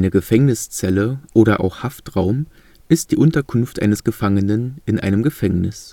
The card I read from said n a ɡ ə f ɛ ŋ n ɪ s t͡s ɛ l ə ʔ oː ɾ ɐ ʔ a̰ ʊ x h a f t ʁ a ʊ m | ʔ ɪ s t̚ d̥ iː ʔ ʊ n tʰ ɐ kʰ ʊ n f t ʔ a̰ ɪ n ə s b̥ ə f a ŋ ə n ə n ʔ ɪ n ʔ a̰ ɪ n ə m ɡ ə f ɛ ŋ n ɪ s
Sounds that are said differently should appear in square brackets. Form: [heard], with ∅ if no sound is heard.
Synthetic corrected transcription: n [ə] ɡ ə f ɛ ŋ n ɪ s t͡s ɛ l ə ʔ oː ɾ ɐ ʔ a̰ ʊ x h a f t ʁ a ʊ m | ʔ ɪ s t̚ d̥ iː ʔ ʊ n [t] ɐ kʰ ʊ n f t ʔ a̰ ɪ n ə s [ɡ̥] ə f a ŋ ə n ə n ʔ ɪ n ʔ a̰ ɪ n ə m ɡ ə f ɛ ŋ n ɪ s